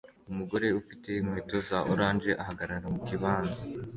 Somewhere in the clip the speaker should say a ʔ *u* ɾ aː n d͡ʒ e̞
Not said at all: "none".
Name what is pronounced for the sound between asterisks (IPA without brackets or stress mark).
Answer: o